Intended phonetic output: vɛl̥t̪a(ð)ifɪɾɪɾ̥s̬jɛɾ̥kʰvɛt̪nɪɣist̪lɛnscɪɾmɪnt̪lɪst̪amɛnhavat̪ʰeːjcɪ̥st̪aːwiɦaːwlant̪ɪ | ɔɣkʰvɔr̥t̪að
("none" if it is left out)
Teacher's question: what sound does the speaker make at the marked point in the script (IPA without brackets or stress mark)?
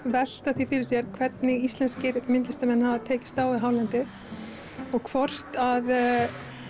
θ